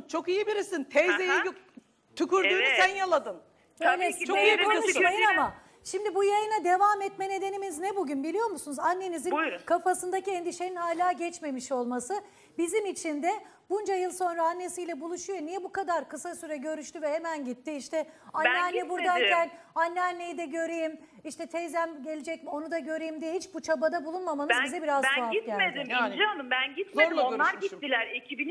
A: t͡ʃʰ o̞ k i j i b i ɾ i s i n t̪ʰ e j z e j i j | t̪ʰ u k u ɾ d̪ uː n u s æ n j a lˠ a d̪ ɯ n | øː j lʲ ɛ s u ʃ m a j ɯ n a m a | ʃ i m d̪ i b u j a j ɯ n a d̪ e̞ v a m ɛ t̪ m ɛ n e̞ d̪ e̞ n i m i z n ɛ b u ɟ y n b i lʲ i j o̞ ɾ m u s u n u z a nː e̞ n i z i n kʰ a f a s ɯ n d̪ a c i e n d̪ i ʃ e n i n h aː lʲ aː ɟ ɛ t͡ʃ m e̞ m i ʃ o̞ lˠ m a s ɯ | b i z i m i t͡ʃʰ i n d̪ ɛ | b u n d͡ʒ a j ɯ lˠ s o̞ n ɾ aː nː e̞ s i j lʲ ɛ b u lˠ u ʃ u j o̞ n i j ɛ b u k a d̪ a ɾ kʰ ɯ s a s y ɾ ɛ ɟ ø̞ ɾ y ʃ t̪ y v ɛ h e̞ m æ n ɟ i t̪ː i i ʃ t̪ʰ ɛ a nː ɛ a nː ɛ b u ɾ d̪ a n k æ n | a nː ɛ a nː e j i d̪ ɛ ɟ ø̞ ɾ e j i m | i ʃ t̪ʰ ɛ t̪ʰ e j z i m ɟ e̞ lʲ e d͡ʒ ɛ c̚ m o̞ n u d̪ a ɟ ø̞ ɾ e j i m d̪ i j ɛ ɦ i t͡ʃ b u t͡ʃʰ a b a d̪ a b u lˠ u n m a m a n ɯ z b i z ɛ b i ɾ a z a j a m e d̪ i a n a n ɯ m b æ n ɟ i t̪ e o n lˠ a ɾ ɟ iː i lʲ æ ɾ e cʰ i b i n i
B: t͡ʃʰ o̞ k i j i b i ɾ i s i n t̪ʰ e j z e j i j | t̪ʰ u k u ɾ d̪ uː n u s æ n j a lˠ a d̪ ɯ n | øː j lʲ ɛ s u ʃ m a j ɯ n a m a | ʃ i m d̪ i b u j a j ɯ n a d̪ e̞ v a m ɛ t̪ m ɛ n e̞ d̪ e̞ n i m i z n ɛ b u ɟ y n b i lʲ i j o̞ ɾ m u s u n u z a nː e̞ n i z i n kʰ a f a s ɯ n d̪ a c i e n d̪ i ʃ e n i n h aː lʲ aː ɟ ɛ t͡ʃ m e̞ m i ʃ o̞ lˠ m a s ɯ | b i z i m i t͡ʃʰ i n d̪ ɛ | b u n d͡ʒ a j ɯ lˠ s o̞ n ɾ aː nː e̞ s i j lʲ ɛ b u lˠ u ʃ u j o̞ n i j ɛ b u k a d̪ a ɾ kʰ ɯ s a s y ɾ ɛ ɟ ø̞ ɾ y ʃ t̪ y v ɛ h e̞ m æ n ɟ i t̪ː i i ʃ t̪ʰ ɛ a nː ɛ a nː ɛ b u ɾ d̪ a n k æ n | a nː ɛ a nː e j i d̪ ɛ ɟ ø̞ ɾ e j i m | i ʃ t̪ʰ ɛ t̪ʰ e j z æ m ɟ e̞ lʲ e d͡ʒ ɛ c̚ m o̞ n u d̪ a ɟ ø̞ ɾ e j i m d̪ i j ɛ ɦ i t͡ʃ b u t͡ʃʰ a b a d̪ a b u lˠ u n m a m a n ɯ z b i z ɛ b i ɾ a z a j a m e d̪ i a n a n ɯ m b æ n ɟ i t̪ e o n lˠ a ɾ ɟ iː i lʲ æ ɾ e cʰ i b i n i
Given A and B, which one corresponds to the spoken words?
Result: B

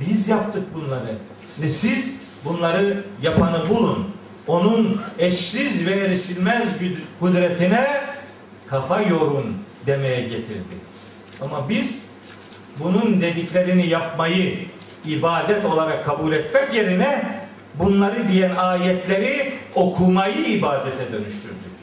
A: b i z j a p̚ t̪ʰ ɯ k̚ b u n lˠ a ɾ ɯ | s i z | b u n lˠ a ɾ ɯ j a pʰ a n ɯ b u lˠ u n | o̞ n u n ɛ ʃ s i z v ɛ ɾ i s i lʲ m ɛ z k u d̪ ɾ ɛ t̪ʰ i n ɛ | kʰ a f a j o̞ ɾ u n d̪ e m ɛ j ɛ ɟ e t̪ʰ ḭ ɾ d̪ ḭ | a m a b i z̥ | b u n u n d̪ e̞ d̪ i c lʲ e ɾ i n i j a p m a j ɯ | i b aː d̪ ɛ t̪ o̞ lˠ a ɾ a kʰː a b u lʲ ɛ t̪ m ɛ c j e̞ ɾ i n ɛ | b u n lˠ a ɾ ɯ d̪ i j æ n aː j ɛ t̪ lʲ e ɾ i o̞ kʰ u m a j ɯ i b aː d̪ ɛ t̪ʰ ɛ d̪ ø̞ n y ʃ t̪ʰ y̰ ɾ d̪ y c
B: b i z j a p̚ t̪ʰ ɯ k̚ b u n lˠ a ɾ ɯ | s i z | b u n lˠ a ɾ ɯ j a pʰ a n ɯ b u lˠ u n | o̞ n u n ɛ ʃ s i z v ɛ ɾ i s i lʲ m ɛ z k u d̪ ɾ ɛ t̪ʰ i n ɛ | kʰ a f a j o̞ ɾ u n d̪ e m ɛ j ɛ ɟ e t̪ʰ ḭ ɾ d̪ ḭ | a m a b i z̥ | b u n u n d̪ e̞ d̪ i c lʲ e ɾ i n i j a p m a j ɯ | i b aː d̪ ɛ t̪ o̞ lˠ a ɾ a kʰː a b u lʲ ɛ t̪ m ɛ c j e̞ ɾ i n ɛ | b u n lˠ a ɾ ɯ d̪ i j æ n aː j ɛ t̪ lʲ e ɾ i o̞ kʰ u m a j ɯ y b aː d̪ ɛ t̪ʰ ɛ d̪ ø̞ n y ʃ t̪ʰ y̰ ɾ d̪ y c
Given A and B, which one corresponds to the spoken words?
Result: A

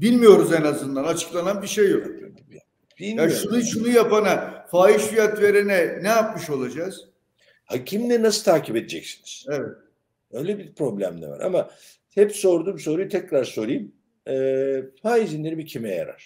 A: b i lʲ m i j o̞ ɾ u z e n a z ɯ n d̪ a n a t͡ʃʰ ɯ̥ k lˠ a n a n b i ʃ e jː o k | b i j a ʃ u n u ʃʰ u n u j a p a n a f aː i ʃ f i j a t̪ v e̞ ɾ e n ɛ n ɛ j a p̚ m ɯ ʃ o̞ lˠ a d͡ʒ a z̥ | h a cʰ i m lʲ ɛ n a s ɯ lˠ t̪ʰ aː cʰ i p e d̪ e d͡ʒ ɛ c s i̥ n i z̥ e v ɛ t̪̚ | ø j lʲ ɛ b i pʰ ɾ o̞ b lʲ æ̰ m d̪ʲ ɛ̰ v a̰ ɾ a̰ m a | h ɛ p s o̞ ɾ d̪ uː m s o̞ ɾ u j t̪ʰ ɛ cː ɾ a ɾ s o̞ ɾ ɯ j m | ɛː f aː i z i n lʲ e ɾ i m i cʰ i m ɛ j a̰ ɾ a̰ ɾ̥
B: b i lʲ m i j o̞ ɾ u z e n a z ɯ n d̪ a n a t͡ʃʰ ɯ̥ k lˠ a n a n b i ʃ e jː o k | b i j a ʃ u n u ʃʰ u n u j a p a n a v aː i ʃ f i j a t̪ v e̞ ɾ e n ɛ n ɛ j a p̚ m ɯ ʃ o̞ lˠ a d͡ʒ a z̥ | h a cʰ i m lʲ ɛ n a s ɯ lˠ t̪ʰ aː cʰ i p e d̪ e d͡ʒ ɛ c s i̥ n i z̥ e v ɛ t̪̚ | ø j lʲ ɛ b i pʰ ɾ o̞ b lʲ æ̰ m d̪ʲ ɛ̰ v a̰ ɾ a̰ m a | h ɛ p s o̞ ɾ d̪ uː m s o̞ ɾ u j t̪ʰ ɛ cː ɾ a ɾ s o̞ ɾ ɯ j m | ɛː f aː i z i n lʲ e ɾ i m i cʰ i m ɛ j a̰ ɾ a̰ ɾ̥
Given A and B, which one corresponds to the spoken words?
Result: A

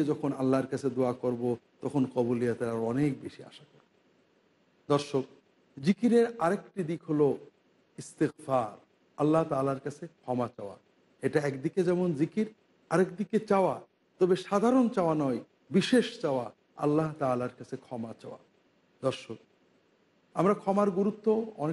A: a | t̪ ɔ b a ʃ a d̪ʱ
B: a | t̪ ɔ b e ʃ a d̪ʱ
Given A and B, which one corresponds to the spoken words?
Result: B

